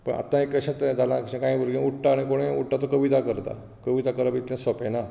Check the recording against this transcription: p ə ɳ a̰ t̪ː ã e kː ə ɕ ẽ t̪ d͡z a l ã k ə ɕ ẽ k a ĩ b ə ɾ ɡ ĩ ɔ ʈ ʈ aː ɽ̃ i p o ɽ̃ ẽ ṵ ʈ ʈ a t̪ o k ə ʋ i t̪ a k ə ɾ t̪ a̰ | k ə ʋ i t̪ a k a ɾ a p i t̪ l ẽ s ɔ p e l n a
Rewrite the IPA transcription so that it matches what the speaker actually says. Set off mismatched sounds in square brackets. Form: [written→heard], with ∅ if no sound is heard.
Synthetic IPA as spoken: p ə ɳ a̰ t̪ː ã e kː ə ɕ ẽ t̪ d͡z a l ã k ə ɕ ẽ k a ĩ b ə ɾ ɡ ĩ [ɔ→u] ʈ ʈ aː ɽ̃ i [p→k] o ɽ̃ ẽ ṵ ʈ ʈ a t̪ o k ə ʋ i t̪ a k ə ɾ t̪ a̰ | k ə ʋ i t̪ a k [a→ə] ɾ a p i t̪ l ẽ s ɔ p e [l→∅] n a